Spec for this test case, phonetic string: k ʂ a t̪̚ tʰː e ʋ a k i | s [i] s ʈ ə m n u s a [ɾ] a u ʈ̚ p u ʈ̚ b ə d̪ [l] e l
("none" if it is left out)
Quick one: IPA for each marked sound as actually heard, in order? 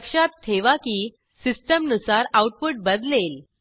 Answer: i, ɾ, l

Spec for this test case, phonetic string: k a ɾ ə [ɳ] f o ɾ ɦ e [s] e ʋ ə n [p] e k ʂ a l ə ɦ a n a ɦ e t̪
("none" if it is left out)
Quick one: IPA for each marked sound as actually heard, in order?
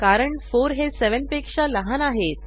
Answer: ɳ, s, p

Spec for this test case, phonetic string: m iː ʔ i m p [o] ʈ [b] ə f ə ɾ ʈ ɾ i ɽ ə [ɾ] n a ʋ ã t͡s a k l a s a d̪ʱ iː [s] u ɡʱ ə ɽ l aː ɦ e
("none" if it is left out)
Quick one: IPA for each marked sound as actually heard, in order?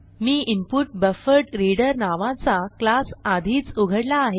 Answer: u, b, ɾ, t͡s

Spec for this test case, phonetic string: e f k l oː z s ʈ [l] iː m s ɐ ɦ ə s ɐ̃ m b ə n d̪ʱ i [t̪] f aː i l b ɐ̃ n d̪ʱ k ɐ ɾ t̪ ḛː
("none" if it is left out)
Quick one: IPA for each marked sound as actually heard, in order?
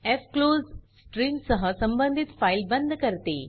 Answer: ɾ, t̪

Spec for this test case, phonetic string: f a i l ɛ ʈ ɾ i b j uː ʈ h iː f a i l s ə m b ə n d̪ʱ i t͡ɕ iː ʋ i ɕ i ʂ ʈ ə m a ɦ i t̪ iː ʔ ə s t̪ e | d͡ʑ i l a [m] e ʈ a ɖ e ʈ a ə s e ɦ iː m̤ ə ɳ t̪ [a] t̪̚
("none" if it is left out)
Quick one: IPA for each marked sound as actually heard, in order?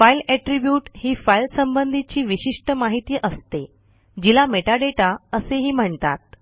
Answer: m, a

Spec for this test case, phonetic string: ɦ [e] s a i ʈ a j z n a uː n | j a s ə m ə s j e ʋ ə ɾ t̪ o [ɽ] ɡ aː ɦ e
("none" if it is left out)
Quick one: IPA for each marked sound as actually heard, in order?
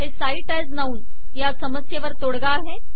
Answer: e, ɽ

